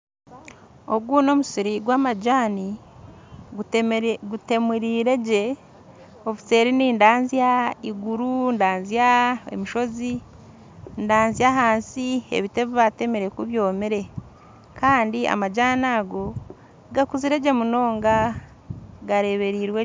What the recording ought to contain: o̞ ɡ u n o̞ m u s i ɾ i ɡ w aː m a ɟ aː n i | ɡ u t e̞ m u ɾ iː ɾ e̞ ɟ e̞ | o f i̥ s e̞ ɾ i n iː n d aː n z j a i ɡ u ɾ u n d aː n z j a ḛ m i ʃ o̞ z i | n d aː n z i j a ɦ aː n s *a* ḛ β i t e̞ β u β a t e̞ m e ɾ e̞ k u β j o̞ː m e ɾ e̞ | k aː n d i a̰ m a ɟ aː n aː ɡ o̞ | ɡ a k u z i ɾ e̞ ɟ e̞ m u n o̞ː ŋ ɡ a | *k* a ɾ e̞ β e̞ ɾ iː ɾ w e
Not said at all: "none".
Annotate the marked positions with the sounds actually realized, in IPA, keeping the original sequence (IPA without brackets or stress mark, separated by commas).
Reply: i, ɡ